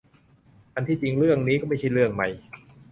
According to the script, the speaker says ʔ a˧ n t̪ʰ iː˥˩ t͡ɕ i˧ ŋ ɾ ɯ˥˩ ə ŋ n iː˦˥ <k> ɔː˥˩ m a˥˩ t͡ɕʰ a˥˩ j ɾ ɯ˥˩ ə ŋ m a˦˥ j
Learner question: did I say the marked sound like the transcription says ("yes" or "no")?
yes